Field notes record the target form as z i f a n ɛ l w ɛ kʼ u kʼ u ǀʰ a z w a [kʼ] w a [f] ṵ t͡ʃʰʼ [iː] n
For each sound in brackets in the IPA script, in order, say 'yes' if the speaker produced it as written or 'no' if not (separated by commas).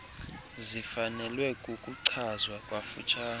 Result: yes, yes, no